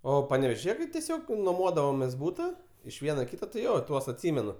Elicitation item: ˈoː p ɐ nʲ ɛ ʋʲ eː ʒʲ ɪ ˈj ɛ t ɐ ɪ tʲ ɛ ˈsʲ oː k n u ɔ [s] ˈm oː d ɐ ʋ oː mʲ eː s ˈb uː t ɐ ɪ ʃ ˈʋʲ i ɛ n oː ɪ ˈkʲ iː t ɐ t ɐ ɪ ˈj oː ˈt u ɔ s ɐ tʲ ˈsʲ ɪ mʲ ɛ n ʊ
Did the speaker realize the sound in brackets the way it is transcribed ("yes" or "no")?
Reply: no